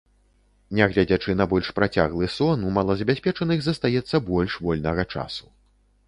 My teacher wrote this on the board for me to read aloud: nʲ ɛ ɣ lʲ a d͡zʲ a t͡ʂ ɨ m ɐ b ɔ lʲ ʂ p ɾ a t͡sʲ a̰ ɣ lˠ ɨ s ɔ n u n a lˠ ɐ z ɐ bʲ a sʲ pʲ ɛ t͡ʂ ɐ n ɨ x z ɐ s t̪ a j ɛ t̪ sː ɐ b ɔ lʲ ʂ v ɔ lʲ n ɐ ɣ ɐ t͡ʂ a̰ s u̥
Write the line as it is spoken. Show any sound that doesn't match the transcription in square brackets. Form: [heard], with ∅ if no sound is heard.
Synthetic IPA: nʲ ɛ ɣ lʲ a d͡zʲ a t͡ʂ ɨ [n] ɐ b ɔ lʲ ʂ p ɾ a t͡sʲ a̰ ɣ lˠ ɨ s ɔ n u [m] a lˠ ɐ z ɐ bʲ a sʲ pʲ ɛ t͡ʂ ɐ n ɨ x z ɐ s t̪ a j ɛ t̪ sː ɐ b ɔ lʲ ʂ v ɔ lʲ n ɐ ɣ ɐ t͡ʂ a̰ s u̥